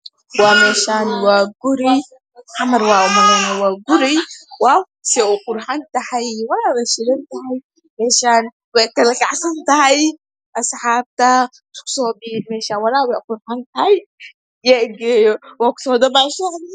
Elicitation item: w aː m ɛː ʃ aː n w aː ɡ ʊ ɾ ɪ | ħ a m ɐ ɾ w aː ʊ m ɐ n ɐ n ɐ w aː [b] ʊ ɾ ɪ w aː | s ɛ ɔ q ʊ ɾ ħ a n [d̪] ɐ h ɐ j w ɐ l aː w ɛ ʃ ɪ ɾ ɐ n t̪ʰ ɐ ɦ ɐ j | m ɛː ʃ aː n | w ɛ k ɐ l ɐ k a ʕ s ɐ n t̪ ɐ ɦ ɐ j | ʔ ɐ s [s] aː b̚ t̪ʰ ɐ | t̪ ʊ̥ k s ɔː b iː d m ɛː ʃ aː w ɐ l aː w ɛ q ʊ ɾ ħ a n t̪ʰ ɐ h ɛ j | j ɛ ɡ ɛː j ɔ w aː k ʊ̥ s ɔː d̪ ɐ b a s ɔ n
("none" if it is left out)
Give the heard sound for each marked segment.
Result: ɡ, t̪, ħ

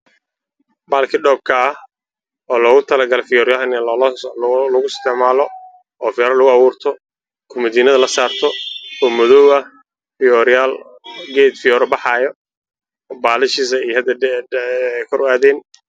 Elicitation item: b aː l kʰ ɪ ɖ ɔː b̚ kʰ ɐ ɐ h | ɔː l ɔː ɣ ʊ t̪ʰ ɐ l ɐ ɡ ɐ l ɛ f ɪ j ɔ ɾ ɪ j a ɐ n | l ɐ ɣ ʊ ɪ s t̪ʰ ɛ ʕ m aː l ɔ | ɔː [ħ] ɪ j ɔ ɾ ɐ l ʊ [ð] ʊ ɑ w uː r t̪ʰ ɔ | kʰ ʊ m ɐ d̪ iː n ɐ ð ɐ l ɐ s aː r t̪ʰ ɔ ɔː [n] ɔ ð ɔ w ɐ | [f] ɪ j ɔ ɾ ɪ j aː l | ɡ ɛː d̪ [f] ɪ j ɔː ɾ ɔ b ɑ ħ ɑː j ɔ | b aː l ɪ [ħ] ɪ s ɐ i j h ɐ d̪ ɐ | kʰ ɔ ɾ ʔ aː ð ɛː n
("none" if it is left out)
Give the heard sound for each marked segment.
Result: f, ɣ, m, f, f, ʃ

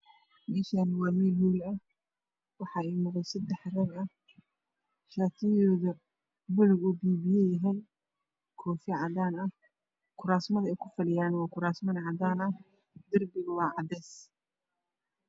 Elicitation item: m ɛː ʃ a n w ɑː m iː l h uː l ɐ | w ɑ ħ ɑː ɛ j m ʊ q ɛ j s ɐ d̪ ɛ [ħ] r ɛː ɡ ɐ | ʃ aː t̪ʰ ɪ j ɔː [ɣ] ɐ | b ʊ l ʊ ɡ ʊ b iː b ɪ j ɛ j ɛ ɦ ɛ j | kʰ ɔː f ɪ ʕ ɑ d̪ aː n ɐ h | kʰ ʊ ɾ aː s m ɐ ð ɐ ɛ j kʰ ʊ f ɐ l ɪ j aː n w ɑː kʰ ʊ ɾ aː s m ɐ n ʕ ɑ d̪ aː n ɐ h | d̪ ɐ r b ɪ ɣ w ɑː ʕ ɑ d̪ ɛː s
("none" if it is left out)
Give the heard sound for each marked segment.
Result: ħ, ð

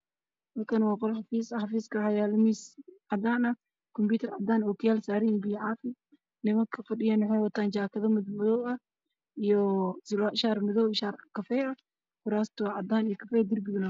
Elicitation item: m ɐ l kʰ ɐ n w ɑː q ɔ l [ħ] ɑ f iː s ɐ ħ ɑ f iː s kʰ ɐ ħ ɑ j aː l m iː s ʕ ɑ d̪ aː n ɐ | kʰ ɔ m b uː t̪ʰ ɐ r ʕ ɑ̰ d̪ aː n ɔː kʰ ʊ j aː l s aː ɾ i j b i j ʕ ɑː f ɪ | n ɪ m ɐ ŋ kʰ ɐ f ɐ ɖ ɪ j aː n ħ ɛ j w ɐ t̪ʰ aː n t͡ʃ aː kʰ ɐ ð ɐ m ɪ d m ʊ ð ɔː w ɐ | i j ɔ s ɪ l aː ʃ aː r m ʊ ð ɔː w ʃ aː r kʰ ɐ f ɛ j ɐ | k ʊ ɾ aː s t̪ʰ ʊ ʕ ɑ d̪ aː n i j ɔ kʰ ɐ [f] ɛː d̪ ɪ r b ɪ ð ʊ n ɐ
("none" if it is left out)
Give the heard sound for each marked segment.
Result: ħ, f

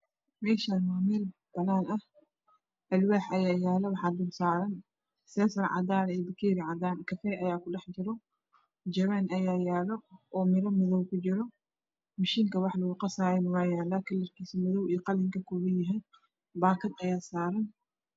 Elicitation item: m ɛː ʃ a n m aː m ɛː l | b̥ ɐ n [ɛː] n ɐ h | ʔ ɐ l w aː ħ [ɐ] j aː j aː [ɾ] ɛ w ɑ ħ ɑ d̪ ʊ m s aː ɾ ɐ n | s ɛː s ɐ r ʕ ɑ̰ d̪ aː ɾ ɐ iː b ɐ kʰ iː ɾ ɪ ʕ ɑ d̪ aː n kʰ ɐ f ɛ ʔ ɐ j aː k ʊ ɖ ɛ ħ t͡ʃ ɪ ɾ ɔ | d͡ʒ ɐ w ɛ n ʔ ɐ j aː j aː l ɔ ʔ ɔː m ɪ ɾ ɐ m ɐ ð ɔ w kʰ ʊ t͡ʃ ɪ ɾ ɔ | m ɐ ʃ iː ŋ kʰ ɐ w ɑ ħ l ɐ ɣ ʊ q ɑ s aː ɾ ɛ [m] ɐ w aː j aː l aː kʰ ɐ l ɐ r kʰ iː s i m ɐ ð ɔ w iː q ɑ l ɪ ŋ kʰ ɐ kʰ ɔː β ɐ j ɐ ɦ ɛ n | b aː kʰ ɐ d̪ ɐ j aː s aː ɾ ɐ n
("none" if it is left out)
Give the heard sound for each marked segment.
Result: aː, ɐ, l, n

